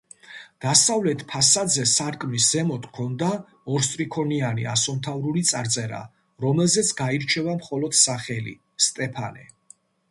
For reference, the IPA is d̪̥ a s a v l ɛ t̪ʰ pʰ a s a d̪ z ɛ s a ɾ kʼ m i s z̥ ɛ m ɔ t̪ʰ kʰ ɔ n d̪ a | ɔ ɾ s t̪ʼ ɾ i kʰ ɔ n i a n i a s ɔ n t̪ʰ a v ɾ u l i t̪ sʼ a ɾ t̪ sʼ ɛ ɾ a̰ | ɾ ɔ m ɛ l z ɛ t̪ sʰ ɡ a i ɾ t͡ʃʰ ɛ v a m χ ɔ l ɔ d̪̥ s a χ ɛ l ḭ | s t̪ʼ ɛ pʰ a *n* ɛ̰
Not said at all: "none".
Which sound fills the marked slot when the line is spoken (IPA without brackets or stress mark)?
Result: n